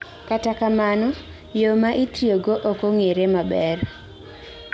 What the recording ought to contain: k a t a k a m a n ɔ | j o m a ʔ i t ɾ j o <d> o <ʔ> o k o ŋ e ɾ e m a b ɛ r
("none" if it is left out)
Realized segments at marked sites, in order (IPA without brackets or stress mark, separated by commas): ɡ, ʔ